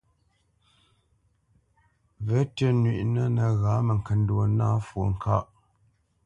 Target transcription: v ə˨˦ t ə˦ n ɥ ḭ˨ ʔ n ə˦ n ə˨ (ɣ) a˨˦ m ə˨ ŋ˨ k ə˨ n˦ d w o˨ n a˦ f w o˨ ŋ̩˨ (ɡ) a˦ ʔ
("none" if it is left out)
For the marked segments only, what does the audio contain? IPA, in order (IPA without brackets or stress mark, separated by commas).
ɣ, k